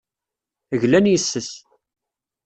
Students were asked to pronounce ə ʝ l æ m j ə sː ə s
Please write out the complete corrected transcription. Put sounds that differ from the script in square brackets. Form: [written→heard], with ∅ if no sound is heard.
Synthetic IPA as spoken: ə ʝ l æ [m→n] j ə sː ə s